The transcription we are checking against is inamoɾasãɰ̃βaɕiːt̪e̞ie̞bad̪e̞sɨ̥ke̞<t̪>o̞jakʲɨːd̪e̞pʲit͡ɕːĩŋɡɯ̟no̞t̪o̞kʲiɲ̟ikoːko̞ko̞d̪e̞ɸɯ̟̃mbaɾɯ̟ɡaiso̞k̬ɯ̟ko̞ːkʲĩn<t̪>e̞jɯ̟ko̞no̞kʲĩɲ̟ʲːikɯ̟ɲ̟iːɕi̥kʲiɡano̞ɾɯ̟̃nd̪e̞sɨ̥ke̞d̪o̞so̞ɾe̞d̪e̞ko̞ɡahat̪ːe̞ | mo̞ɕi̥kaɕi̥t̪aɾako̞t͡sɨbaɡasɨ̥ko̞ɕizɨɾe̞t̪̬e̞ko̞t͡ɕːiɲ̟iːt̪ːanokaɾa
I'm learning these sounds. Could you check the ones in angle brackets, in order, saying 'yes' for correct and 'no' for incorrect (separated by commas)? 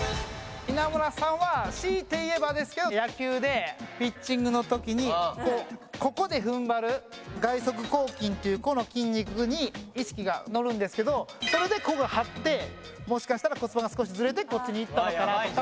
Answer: no, yes